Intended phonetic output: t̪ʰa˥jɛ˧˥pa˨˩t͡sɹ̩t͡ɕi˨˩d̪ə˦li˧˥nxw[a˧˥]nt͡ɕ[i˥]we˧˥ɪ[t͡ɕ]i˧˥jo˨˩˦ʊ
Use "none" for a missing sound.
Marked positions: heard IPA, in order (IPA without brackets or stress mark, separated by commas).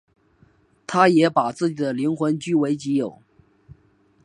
ə˧˥, y˥, t͡ɕ